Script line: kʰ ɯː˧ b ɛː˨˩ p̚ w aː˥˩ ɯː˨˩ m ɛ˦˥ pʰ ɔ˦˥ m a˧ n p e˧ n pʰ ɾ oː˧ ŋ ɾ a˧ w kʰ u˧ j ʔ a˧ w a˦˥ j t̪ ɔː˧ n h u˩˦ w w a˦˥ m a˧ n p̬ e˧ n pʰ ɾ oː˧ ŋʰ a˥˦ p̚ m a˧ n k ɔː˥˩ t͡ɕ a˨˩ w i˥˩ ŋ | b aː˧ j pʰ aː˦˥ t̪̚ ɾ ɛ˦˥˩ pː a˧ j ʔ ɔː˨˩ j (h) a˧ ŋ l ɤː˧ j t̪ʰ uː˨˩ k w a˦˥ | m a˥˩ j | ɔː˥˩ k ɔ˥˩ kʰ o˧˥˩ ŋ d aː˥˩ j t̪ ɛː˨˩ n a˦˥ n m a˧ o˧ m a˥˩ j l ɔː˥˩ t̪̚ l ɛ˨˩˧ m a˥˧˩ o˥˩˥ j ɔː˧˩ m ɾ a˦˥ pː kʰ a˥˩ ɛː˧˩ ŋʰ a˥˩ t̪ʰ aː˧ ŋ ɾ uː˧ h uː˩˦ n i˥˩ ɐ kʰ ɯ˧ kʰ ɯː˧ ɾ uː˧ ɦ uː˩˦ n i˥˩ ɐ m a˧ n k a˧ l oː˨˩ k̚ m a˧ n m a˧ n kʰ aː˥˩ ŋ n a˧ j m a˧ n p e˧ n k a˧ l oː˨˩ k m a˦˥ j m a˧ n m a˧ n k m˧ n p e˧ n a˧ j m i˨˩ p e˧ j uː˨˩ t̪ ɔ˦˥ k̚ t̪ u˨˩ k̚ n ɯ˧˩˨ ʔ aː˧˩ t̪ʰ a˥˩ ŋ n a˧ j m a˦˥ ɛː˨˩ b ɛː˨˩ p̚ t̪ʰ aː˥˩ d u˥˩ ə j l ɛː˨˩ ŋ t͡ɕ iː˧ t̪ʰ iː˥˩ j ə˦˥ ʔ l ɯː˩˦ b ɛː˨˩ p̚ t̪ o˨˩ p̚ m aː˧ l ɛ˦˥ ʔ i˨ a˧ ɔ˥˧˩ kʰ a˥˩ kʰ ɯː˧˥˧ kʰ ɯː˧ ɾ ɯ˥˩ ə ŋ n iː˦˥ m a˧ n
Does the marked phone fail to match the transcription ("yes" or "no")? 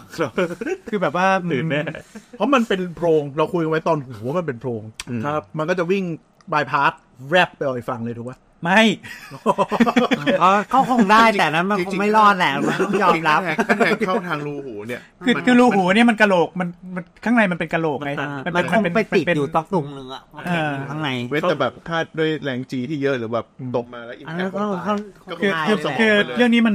yes